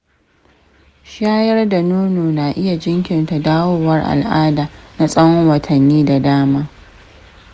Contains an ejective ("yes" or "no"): yes